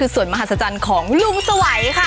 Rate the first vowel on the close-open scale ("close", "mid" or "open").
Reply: close